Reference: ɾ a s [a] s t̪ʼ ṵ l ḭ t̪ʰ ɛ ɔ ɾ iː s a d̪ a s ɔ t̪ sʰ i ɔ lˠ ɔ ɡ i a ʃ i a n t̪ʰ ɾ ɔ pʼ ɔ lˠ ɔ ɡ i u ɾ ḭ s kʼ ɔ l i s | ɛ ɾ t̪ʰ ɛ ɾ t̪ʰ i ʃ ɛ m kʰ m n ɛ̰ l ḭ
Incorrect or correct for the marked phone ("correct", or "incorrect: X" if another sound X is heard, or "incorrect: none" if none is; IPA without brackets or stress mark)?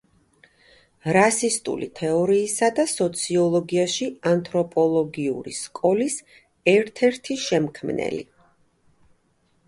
incorrect: i